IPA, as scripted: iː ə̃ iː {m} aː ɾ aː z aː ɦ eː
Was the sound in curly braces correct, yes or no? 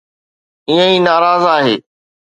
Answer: no